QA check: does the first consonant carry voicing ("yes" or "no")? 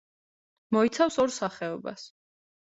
yes